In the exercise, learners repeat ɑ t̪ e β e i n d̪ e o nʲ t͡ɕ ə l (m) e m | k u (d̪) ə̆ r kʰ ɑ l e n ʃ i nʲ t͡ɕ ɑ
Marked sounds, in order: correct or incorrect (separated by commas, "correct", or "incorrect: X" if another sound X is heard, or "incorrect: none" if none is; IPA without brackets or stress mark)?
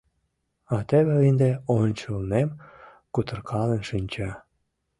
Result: incorrect: n, incorrect: t̪